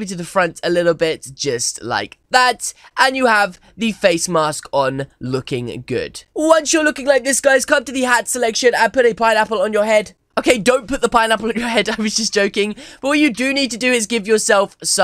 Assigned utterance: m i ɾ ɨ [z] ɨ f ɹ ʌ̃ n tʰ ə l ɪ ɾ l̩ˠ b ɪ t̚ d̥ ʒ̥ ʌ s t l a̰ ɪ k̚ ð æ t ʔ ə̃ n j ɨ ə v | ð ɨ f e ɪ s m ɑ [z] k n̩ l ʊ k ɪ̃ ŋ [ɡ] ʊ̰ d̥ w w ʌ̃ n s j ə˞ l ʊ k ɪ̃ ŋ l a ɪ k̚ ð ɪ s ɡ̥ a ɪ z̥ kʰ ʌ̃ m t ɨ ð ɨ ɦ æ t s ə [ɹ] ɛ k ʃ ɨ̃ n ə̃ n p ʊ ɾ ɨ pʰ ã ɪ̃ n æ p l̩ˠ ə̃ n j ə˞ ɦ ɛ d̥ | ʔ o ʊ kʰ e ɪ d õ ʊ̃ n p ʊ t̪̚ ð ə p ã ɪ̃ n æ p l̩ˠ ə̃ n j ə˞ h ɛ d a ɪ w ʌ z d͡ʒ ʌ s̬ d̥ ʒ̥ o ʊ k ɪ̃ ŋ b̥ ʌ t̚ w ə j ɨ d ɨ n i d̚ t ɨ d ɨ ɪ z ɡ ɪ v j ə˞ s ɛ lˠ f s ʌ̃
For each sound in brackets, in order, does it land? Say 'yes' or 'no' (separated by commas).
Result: no, no, yes, no